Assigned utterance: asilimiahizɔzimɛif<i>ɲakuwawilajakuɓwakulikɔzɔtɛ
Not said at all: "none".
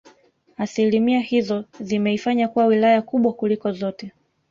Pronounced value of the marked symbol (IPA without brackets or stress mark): a